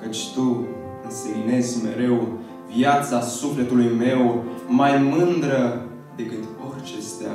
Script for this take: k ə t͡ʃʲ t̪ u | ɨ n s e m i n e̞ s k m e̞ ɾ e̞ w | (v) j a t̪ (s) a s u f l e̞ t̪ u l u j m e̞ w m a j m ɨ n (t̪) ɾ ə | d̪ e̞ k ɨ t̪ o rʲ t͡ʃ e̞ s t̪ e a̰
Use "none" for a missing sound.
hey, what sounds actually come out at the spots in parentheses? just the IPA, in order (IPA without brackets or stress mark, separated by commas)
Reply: v, s, d̪